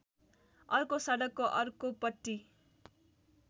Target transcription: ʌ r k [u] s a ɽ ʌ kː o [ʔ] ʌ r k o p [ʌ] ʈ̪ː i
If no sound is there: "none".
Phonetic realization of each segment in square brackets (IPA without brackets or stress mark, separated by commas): o, ʔ, ʌ